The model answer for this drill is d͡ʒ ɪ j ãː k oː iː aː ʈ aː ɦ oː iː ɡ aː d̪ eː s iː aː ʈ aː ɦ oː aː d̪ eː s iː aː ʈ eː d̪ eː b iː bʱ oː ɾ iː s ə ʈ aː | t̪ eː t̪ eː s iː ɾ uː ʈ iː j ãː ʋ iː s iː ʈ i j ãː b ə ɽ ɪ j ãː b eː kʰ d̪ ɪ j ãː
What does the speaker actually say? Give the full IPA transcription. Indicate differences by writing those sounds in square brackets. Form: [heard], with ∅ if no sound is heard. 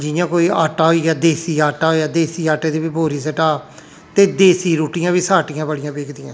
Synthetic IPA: d͡ʒ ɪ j ãː k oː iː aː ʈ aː ɦ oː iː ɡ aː d̪ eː s iː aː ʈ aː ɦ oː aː d̪ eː s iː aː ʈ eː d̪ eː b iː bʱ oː ɾ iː s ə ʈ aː | t̪ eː [d̪] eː s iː ɾ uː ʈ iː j ãː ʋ iː s [aː] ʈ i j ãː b ə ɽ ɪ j ãː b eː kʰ d̪ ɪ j ãː